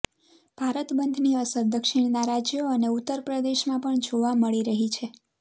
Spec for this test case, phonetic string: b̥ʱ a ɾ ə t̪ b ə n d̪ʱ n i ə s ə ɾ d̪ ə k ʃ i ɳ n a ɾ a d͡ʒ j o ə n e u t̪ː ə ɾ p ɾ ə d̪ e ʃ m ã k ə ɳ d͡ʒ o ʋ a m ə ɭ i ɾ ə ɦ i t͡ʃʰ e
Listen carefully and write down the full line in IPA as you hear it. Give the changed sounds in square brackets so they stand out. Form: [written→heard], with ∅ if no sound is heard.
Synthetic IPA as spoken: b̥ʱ a ɾ ə t̪ b ə n d̪ʱ n i ə s ə ɾ d̪ ə k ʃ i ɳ n a ɾ a d͡ʒ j o ə n e u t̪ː ə ɾ p ɾ ə d̪ e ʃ m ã [k→p] ə ɳ d͡ʒ o ʋ a m ə ɭ i ɾ ə ɦ i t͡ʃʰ e